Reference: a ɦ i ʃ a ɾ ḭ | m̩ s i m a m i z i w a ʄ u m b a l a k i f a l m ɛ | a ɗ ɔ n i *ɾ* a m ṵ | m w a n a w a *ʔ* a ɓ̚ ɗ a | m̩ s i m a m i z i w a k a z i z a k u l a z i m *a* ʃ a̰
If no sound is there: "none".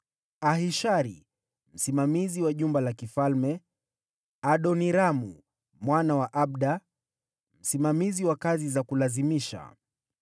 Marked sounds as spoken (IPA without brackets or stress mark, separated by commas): ɾ, ʔ, i